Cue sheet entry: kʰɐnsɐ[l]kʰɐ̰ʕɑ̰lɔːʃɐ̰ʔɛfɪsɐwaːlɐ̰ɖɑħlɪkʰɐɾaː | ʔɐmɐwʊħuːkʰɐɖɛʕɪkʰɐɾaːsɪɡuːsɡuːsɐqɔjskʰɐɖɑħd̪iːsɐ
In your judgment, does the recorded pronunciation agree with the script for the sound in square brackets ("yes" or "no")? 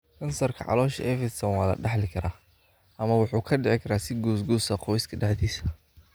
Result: no